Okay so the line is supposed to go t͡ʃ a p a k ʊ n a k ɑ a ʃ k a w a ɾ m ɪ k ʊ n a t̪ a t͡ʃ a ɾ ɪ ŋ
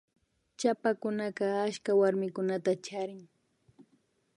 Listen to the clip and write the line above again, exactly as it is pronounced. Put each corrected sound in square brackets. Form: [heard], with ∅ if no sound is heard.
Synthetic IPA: t͡ʃ a p a k ʊ n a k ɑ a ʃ k a w a ɾ m ɪ k ʊ n a t̪ a t͡ʃ a ɾ ɪ ŋ